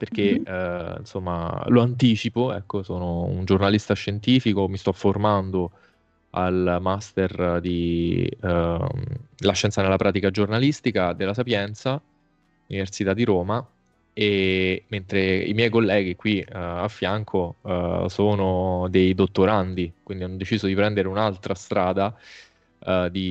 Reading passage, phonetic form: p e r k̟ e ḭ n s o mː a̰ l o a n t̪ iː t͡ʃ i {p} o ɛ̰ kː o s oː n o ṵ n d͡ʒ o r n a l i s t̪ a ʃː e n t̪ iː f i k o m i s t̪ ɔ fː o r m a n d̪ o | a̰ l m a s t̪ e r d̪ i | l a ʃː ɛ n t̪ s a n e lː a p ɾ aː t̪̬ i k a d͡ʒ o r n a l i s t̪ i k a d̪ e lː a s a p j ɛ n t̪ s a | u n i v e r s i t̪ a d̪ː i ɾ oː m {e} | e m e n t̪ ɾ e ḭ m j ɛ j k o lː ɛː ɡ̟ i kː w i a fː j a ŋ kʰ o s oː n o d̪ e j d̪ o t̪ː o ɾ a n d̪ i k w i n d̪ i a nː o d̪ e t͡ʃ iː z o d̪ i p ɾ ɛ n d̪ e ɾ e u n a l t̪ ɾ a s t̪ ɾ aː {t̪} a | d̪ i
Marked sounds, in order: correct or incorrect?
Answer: correct, incorrect, incorrect

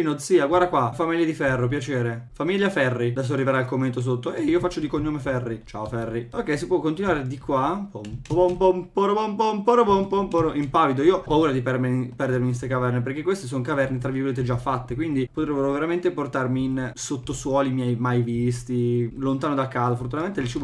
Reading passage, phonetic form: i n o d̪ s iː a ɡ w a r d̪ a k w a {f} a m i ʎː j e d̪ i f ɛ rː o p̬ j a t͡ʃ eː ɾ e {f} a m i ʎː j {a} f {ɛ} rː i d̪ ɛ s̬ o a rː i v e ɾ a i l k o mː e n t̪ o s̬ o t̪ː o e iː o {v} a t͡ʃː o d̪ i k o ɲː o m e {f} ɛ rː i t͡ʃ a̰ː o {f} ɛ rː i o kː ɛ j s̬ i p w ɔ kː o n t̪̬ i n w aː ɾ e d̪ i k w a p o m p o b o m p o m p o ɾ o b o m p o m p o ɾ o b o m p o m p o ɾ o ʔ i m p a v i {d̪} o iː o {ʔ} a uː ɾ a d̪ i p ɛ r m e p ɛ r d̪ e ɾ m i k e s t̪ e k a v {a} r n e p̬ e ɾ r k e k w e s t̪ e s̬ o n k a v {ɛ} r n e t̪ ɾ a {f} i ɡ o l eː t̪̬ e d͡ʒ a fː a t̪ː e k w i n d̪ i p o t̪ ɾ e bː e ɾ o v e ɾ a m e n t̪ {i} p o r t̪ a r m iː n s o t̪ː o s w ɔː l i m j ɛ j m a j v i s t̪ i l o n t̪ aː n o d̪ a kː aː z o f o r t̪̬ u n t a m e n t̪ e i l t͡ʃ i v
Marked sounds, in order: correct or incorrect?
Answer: correct, correct, correct, correct, incorrect, correct, correct, correct, incorrect, incorrect, correct, incorrect, incorrect

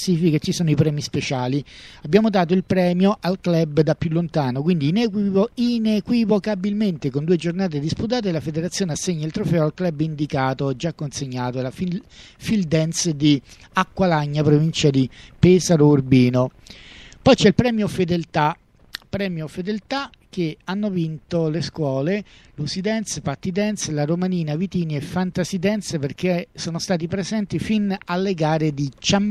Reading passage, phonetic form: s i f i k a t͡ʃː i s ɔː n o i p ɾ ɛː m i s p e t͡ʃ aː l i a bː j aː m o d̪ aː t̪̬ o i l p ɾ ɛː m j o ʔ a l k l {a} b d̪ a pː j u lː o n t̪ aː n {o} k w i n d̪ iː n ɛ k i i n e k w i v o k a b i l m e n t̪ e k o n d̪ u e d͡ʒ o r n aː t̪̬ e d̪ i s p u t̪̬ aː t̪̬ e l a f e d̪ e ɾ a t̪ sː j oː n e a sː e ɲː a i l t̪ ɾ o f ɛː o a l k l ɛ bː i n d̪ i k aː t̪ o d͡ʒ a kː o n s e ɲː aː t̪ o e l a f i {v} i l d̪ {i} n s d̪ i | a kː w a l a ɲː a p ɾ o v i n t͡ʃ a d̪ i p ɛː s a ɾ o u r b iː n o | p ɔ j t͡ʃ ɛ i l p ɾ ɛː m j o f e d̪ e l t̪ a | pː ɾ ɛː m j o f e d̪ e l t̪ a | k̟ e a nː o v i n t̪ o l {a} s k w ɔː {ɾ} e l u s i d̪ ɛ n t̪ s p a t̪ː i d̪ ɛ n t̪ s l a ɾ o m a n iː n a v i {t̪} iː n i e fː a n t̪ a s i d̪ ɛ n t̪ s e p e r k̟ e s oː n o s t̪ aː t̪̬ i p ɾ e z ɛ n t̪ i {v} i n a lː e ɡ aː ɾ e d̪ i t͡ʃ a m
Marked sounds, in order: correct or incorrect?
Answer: incorrect, correct, incorrect, incorrect, incorrect, incorrect, correct, incorrect

